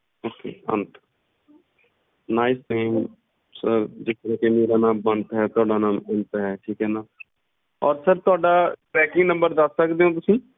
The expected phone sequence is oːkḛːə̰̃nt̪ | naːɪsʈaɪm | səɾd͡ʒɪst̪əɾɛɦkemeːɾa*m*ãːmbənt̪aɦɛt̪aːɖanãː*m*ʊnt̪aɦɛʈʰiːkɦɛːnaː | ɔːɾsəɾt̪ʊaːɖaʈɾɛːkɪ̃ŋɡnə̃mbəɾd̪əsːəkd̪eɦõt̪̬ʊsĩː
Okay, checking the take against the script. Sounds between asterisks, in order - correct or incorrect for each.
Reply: incorrect: n, correct

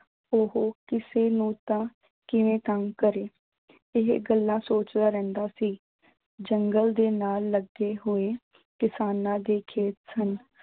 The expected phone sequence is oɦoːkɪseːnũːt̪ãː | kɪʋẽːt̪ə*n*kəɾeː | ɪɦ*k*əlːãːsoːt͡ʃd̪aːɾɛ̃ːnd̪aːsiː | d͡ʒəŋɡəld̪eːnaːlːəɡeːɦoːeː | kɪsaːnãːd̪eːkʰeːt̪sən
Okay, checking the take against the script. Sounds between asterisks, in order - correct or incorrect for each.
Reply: incorrect: ŋ, incorrect: ɡ

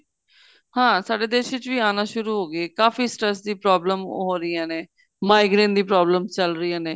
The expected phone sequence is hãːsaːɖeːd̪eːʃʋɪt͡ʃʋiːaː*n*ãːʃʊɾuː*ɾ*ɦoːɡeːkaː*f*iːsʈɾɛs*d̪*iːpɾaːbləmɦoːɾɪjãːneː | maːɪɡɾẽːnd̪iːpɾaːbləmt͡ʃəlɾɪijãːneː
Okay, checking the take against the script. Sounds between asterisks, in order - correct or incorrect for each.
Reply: correct, incorrect: none, correct, correct

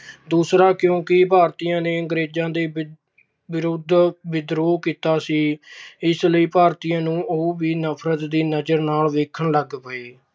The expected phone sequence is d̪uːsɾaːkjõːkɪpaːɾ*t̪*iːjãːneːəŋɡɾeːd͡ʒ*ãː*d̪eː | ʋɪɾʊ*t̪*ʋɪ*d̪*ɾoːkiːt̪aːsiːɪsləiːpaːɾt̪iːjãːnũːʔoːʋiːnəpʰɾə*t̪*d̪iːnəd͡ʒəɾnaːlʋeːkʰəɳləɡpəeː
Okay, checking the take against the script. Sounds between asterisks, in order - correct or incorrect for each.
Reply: correct, correct, incorrect: d̪, correct, correct

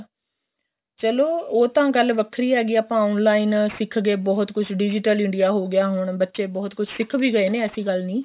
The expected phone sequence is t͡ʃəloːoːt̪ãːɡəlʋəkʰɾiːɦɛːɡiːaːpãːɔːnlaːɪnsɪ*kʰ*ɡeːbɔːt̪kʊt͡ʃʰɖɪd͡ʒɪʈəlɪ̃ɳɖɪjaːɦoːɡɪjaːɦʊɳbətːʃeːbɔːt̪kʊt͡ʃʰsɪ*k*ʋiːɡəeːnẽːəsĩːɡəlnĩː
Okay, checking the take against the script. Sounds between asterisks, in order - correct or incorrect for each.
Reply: correct, incorrect: kʰ

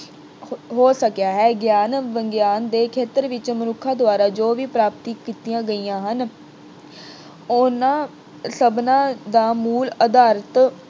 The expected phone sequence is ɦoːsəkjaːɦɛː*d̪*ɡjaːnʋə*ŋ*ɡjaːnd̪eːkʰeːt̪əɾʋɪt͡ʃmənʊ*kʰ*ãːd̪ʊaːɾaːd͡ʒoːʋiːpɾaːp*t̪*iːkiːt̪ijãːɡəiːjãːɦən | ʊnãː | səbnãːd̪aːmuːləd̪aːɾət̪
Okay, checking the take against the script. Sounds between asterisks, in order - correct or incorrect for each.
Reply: incorrect: none, correct, correct, correct

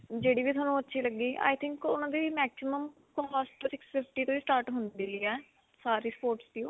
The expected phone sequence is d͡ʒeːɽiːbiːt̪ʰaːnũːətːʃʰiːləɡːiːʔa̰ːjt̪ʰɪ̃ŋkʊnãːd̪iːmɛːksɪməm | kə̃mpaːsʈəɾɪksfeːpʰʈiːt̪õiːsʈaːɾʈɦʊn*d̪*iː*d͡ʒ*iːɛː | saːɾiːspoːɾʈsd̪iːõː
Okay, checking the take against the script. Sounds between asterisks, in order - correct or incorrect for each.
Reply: correct, incorrect: none

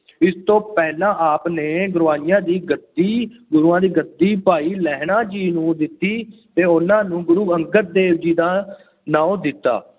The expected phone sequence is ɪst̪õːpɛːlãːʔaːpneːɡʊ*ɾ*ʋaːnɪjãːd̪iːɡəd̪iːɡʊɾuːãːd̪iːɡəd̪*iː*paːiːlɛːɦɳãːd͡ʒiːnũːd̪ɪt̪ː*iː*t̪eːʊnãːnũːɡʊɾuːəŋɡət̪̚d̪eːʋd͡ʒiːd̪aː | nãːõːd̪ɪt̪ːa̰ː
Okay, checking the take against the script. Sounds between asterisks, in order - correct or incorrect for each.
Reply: correct, correct, correct

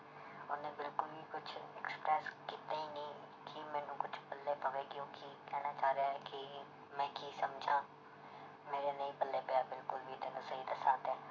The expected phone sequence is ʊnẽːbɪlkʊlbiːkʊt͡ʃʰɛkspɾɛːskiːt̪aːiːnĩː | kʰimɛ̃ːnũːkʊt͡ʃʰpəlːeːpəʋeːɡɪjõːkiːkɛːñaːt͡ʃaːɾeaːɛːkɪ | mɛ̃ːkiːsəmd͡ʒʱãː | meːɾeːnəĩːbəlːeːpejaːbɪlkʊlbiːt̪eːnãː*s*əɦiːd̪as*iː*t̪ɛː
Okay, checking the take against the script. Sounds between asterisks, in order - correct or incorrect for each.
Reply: correct, incorrect: aː

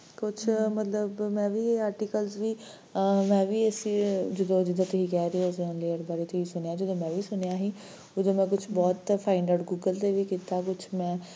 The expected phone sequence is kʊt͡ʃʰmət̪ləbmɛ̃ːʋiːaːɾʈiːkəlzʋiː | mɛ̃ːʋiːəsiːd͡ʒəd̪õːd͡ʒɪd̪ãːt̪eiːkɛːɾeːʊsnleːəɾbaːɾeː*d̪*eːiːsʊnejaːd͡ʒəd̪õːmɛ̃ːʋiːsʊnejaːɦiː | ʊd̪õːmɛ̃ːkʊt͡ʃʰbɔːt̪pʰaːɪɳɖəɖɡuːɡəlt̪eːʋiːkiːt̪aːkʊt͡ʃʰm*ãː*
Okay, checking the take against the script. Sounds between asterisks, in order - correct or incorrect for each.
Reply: incorrect: t̪, incorrect: ɛ̃ː

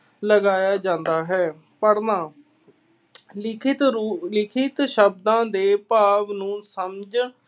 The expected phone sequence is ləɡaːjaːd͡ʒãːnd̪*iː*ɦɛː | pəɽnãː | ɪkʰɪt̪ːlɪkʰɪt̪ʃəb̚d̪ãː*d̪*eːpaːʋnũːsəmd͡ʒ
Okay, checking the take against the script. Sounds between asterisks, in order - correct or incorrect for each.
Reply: incorrect: aː, correct

